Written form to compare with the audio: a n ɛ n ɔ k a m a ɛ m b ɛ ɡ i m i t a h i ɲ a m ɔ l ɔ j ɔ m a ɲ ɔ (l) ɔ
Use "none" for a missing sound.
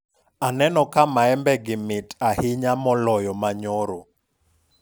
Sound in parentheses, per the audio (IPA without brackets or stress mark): ɾ